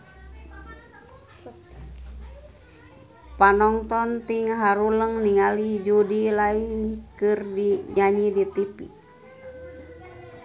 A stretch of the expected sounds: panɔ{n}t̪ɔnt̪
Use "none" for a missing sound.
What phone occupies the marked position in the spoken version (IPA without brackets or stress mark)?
ŋ